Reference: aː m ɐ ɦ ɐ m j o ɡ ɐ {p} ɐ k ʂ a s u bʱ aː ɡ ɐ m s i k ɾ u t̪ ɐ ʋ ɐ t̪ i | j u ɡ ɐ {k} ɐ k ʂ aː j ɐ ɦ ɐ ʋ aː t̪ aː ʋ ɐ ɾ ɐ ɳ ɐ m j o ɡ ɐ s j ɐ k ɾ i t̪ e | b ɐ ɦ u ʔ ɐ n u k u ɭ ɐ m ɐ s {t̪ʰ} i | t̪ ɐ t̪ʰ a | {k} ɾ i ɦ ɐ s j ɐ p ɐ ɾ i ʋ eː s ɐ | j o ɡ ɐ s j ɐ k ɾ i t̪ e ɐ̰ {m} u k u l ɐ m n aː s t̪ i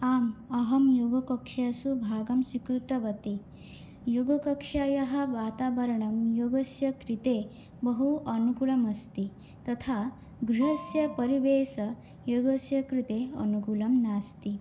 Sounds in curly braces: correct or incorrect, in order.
incorrect, correct, incorrect, incorrect, incorrect

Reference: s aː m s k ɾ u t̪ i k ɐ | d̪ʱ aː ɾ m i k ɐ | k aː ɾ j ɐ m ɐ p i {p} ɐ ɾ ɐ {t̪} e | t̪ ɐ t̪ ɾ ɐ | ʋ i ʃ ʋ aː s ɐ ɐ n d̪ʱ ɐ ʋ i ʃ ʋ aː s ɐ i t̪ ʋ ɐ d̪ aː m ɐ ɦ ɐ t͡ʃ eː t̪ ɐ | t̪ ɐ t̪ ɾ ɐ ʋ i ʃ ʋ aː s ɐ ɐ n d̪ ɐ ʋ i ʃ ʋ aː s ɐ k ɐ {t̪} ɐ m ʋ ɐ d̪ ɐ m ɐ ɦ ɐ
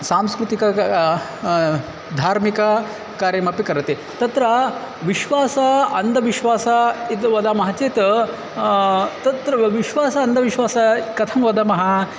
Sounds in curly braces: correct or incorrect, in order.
incorrect, correct, incorrect

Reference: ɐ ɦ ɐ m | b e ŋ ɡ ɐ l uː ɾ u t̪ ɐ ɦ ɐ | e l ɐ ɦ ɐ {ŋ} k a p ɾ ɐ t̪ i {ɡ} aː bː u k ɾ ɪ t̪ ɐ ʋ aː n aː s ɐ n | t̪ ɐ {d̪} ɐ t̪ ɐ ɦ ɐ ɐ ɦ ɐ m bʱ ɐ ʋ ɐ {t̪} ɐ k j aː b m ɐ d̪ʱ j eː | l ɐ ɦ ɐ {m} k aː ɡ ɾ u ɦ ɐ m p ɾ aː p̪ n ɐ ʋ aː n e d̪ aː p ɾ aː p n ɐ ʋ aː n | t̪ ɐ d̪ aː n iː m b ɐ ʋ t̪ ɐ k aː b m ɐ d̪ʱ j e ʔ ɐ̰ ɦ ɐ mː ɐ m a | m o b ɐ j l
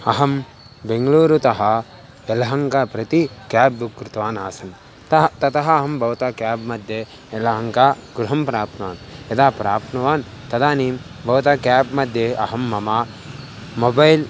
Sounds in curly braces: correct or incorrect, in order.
correct, incorrect, incorrect, correct, incorrect

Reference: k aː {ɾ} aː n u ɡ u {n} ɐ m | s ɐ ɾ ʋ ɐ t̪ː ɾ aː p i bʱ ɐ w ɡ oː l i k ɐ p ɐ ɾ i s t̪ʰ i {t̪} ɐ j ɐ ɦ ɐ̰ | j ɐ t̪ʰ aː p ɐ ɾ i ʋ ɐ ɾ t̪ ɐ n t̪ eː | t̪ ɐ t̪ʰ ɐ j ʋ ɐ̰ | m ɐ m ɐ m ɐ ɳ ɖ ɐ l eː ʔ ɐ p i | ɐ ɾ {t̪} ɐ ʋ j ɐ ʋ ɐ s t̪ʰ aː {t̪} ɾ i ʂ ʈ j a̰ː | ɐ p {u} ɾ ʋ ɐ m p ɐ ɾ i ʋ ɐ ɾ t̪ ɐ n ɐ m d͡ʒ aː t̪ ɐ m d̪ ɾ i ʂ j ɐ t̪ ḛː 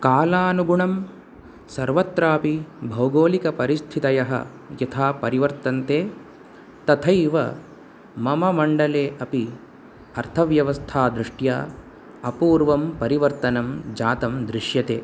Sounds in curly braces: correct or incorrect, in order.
incorrect, incorrect, correct, incorrect, incorrect, incorrect

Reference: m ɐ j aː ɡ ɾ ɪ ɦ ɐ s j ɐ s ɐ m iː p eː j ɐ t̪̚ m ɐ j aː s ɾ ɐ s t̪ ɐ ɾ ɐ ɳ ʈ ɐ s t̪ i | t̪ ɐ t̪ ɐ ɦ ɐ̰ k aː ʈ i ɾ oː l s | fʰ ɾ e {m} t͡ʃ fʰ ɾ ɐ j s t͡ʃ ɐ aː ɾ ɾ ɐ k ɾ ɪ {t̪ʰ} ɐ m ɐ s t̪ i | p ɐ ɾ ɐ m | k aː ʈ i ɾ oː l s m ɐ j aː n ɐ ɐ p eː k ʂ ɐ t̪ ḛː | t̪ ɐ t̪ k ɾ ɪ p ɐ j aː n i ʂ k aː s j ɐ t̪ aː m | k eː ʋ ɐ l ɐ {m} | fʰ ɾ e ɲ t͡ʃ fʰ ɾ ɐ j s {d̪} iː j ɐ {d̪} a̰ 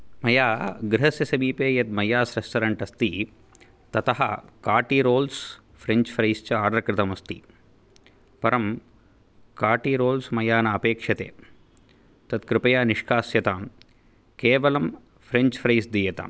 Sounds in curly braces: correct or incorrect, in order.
incorrect, incorrect, correct, correct, incorrect

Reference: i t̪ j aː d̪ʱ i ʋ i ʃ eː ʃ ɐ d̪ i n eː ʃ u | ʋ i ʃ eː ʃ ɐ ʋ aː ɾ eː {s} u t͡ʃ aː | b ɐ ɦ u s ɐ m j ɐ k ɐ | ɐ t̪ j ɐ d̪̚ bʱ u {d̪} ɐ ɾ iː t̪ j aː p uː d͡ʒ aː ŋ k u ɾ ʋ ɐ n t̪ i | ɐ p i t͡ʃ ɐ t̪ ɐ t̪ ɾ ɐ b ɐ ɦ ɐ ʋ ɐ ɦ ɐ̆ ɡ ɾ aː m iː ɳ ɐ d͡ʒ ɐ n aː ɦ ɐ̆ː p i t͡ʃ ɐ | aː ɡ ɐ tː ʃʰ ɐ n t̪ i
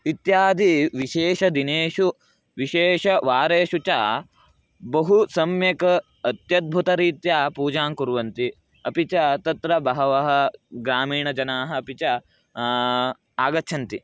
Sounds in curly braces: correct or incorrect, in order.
incorrect, incorrect

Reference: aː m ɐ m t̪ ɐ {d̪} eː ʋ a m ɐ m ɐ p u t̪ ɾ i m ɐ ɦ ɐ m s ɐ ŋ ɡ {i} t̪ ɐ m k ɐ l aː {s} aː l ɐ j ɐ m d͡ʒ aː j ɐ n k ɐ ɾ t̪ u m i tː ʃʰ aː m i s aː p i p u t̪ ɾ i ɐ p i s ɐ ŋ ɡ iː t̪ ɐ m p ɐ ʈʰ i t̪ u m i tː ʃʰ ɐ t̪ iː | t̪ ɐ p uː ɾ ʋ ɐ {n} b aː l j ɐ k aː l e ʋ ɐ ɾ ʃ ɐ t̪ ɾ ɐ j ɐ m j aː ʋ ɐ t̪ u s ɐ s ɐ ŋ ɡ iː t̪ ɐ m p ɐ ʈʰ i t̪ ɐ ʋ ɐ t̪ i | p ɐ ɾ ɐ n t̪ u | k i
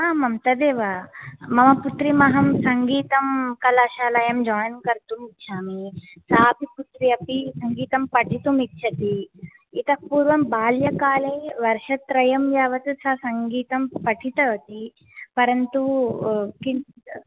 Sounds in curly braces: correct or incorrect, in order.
correct, incorrect, incorrect, incorrect

